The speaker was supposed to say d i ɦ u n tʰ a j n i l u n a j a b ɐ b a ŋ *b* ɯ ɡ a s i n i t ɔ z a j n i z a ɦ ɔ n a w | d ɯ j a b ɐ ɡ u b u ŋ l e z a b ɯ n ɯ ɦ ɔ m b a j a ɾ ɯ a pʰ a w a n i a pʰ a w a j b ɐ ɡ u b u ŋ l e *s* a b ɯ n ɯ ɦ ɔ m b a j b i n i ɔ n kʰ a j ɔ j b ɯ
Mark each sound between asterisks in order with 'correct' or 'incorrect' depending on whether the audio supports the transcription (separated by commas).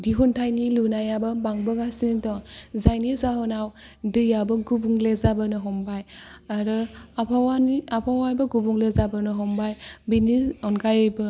correct, incorrect